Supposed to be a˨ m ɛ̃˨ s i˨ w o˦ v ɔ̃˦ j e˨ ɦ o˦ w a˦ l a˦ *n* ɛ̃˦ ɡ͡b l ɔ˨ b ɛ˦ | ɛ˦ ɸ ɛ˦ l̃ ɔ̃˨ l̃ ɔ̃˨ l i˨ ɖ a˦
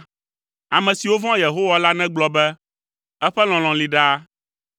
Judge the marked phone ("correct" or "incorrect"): correct